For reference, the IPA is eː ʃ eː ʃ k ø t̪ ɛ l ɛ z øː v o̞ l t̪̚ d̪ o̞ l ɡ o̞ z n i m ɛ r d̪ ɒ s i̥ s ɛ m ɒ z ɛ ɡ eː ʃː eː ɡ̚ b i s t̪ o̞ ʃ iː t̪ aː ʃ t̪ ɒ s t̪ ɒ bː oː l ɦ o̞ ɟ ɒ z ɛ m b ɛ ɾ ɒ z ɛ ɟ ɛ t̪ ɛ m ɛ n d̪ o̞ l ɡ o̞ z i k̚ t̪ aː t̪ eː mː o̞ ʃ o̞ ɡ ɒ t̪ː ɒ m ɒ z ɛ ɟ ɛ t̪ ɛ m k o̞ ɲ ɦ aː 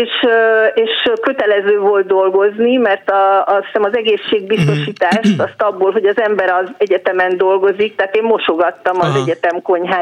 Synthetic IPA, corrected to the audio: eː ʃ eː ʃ k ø t̪ ɛ l ɛ z øː v o̞ l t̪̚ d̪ o̞ l ɡ o̞ z n i m ɛ r t̪ ɒ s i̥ s ɛ m ɒ z ɛ ɡ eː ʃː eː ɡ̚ b i s t̪ o̞ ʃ iː t̪ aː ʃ t̪ ɒ s t̪ ɒ bː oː l ɦ o̞ ɟ ɒ z ɛ m b ɛ ɾ ɒ z ɛ ɟ ɛ t̪ ɛ m ɛ n d̪ o̞ l ɡ o̞ z i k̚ t̪ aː t̪ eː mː o̞ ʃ o̞ ɡ ɒ t̪ː ɒ m ɒ z ɛ ɟ ɛ t̪ ɛ m k o̞ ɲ ɦ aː